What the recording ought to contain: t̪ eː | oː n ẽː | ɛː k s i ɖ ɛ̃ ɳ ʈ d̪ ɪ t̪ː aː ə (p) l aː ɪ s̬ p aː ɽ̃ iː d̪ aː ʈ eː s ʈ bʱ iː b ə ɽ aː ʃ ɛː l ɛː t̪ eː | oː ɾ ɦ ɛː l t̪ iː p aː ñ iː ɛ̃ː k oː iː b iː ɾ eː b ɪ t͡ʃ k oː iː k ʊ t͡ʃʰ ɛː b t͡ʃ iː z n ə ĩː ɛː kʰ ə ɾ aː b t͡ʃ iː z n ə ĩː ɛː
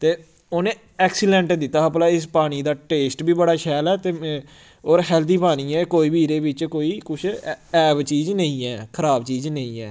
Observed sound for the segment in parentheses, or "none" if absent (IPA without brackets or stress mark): p